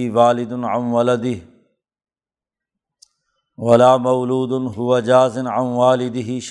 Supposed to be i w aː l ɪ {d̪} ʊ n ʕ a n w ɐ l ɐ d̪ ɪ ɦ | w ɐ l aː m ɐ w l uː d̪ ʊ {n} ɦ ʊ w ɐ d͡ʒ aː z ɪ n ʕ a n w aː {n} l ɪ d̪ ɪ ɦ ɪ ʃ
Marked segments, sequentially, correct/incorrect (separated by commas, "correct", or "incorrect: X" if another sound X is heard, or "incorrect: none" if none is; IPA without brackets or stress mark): correct, correct, incorrect: none